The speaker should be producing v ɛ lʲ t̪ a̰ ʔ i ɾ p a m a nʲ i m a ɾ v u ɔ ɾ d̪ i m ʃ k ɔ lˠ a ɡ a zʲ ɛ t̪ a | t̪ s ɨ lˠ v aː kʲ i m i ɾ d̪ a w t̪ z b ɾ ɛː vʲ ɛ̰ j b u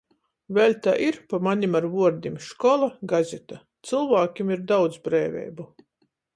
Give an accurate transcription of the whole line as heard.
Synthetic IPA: v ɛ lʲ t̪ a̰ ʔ i ɾ p a m a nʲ i m a ɾ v u ɔ ɾ d̪ i m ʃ k ɔ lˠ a ɡ a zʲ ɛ t̪ a | t̪ s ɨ lˠ v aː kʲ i m i ɾ d̪ a w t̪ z b ɾ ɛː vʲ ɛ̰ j b u

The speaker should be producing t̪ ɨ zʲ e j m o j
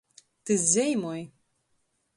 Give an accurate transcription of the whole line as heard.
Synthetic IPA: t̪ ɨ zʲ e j m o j

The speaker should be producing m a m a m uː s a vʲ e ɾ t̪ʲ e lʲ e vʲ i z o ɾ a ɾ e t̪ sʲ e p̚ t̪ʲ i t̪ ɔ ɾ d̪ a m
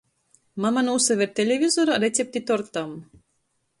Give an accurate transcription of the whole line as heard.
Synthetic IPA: m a m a n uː s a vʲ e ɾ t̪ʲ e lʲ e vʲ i z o ɾ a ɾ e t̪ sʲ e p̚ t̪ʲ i t̪ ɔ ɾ t̪ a m

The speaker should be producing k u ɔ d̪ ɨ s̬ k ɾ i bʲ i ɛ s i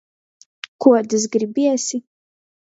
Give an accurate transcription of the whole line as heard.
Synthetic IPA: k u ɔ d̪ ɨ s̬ ɡ ɾ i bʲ i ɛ s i

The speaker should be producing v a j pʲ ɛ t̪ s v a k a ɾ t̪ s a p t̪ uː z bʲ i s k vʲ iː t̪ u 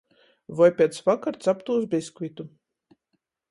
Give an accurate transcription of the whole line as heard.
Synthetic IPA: v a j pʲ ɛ t̪ s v a k a ɾ t̪ s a p t̪ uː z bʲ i s k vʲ i t̪ u

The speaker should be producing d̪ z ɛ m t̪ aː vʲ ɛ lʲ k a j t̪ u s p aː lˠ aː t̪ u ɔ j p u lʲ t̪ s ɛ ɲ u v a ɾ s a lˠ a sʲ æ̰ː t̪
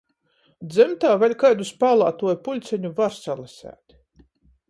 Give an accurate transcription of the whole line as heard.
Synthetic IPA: d̪ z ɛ m t̪ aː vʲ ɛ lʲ k a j d̪ u s p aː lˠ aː t̪ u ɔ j p u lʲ t̪ s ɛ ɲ u v a ɾ s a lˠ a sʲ æ̰ː t̪

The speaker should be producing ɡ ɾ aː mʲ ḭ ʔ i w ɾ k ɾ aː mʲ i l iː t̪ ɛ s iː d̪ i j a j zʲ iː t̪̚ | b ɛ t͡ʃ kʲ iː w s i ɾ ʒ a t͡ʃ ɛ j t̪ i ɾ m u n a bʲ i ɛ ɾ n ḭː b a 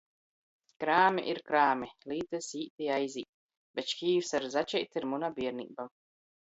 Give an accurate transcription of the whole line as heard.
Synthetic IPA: k ɾ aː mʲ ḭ ʔ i ɾ k ɾ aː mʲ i l iː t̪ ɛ s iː t̪ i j a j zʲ iː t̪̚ | b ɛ t͡ʃ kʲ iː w s a ɾ z a t͡ʃ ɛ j t̪ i ɾ m u n a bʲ i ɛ ɾ n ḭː b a

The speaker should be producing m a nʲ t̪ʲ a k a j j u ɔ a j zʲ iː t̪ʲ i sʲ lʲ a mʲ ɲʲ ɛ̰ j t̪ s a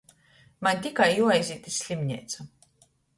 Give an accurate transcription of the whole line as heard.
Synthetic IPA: m a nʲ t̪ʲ i k a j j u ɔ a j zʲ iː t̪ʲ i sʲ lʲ i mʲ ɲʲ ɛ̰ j t̪ s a

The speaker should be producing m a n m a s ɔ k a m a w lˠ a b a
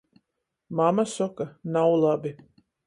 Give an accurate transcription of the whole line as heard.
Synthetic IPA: m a m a s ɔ k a n a w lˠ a b i

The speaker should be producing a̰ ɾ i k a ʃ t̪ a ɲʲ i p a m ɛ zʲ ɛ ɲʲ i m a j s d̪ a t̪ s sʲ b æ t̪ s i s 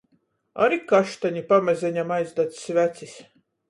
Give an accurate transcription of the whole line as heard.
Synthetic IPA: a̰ ɾ i k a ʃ t̪ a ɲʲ i p a m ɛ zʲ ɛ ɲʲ a m a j z d̪ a t̪ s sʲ v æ t̪ s i s

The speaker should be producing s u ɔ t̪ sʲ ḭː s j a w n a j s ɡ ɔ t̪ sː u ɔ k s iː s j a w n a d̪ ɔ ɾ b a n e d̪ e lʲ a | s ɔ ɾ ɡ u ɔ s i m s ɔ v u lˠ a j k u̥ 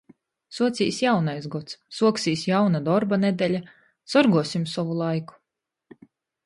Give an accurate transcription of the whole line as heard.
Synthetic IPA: s u ɔ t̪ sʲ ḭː s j a w n a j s ɡ ɔ t̪ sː u ɔ k s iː s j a w n a d̪ ɔ ɾ b a n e d̪ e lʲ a | s ɔ ɾ ɡ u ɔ s i m s ɔ v u lˠ a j k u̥

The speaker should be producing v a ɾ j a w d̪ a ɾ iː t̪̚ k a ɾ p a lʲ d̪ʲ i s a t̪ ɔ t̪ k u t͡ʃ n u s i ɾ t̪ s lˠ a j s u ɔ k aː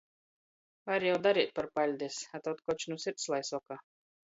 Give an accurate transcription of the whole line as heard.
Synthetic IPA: v a ɾ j a w d̪ a ɾ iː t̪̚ p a ɾ p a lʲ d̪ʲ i s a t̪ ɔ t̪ k ɔ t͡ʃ n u s i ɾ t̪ s lˠ a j s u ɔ k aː

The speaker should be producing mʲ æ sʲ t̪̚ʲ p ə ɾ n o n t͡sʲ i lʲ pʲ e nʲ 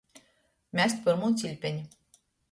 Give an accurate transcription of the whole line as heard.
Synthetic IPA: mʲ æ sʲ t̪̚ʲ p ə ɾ m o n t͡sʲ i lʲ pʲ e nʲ

